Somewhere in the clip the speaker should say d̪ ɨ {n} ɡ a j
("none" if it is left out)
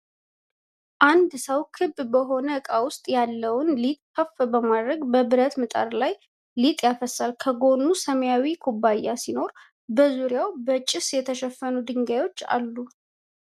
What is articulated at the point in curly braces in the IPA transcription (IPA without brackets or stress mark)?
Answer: ŋ